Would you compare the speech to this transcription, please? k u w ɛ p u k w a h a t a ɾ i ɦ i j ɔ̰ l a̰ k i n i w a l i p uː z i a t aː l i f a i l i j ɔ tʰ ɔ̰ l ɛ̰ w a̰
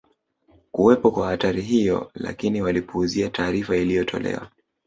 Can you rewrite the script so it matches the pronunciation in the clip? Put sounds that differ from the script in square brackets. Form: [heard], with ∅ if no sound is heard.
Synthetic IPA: k u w ɛ p [ɔ] k w a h a t a ɾ i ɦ i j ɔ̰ l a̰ k i n i w a l i p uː z i a t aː [ɾ] i f a i l i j ɔ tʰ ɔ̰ l ɛ̰ w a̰